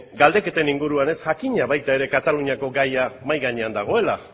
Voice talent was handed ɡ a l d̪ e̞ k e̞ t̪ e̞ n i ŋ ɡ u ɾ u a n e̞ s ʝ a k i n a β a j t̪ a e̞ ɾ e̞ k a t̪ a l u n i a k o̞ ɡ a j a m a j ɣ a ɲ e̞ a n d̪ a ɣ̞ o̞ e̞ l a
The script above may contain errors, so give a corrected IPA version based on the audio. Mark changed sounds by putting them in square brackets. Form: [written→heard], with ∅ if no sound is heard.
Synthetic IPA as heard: ɡ a l d̪ e̞ k e̞ t̪ e̞ n i ŋ ɡ u ɾ u a n e̞ s ʝ a k i [n→ɲ] a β a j t̪ a e̞ ɾ e̞ k a t̪ a l u [n→ɲ] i a k o̞ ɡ a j a m a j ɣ a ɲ e̞ a n d̪ a ɣ̞ o̞ e̞ l a